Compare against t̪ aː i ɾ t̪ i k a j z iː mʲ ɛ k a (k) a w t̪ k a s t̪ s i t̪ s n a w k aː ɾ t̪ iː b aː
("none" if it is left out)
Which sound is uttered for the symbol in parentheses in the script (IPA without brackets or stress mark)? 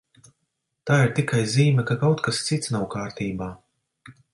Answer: k